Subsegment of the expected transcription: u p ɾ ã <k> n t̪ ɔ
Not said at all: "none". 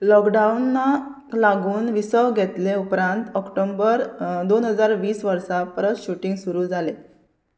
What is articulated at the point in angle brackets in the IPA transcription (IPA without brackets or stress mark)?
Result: none